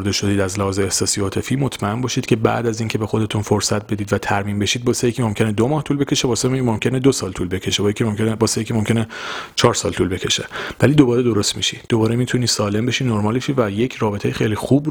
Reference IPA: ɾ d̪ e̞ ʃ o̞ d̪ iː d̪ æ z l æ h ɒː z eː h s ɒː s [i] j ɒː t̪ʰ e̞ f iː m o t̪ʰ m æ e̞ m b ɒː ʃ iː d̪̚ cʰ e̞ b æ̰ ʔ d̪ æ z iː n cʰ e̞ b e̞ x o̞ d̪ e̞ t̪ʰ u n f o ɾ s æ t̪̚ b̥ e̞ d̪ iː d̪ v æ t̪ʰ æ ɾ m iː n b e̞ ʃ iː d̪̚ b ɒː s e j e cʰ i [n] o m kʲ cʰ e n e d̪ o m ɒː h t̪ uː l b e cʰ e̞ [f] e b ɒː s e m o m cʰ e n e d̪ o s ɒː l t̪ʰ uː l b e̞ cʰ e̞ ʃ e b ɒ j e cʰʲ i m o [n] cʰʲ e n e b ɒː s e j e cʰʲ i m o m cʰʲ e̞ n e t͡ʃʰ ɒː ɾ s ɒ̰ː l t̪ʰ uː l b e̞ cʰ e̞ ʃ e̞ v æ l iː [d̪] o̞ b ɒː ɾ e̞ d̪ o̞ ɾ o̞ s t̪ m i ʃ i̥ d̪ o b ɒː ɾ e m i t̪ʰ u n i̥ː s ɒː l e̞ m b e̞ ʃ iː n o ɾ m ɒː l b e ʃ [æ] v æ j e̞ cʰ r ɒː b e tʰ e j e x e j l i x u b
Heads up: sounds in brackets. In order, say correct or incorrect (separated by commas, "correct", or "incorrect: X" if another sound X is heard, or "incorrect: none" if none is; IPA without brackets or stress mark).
correct, incorrect: m, incorrect: ʃ, incorrect: m, correct, incorrect: i